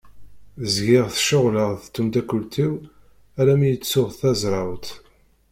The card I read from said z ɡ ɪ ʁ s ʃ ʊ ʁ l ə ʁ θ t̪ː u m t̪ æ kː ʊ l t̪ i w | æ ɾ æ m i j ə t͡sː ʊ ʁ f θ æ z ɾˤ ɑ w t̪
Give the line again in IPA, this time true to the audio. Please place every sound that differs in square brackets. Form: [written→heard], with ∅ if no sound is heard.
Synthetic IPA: z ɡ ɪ ʁ [s→θ] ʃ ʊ ʁ l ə ʁ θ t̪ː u m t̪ æ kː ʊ l t̪ i w | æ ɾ æ m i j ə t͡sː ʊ ʁ [f→θ] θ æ z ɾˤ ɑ w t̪